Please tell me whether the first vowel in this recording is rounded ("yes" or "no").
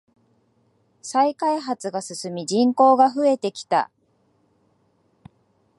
no